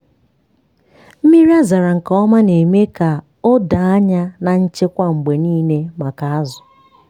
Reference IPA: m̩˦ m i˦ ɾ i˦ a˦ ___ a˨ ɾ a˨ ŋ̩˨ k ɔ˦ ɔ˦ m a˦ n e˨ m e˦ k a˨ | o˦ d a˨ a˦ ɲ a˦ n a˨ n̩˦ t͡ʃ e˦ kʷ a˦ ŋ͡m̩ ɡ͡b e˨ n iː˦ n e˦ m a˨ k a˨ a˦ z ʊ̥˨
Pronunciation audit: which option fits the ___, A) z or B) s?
A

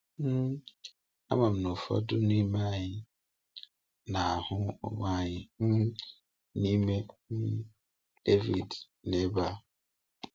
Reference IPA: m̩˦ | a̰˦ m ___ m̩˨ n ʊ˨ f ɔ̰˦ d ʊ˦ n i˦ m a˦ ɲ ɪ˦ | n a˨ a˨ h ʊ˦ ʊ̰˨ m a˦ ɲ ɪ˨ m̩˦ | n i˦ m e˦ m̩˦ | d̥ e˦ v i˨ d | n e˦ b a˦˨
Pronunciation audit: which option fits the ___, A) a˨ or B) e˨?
A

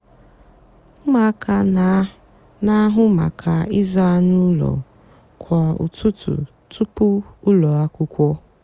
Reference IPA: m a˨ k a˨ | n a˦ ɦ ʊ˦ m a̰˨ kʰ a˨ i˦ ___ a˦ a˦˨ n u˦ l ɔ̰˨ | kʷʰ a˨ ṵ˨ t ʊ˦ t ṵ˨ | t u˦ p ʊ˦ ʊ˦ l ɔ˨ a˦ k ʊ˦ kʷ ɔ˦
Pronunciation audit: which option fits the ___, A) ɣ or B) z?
B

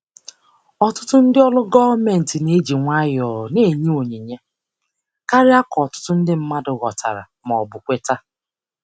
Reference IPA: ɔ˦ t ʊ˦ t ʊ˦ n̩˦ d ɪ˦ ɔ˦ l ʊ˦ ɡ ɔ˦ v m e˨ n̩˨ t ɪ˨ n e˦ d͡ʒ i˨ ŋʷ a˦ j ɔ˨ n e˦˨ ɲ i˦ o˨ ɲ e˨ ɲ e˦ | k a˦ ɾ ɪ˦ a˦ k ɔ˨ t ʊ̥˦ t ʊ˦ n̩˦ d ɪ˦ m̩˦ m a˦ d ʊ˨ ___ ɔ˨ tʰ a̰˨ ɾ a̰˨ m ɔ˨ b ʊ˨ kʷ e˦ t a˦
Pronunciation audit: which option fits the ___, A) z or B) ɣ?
B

